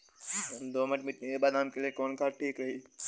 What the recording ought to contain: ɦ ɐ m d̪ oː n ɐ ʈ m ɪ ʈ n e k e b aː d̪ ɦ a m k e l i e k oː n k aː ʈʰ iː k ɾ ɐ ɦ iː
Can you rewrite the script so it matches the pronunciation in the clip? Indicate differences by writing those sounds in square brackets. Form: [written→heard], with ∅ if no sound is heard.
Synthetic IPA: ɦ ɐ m d̪ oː [n→m] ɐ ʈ m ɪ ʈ n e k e b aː d̪ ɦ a m k e l i e k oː n k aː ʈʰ iː k ɾ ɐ ɦ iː